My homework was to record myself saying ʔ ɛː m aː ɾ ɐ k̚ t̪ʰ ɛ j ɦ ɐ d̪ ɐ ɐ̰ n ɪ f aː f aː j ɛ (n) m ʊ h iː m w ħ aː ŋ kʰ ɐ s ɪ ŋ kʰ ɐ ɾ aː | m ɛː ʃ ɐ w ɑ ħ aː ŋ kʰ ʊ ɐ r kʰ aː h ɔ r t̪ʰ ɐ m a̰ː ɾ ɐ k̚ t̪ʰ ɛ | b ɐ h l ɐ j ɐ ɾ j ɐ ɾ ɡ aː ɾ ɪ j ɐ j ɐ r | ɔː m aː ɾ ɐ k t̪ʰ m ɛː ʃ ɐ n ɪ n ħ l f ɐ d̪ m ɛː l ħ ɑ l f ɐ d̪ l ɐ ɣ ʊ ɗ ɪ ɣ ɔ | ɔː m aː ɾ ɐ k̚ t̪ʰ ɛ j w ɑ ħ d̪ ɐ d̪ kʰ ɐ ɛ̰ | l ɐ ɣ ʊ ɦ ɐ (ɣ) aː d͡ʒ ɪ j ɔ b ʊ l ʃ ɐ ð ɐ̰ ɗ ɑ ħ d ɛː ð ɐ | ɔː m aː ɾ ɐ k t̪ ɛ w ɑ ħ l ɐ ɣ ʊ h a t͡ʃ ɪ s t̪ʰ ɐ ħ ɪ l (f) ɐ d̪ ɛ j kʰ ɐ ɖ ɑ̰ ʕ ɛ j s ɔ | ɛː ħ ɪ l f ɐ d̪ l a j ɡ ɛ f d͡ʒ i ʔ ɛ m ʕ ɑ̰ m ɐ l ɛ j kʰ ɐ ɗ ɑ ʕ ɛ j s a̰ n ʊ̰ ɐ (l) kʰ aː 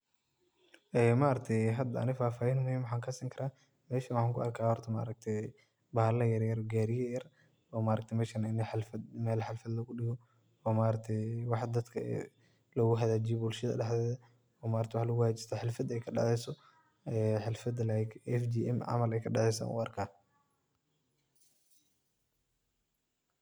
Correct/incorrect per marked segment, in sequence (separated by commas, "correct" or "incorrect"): correct, incorrect, correct, incorrect